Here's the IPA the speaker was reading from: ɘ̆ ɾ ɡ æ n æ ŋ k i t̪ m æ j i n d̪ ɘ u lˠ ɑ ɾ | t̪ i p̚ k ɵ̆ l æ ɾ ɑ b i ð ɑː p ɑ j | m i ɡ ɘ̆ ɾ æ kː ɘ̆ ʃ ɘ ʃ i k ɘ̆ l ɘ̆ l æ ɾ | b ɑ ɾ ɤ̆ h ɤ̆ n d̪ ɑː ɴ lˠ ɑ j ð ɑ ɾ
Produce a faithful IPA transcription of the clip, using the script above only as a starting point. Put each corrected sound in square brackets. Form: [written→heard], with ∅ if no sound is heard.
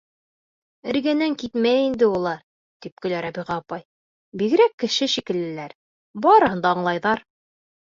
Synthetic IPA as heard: ɘ̆ ɾ ɡ æ n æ ŋ k i t̪ m æ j i n d̪ ɘ u lˠ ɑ ɾ | t̪ i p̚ k ɵ̆ l æ ɾ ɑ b i [ð→ʁ] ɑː p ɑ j | [m→b] i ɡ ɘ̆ ɾ æ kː ɘ̆ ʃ ɘ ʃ i k ɘ̆ l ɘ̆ l æ ɾ | b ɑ ɾ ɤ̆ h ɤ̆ n d̪ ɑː ɴ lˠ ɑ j ð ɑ ɾ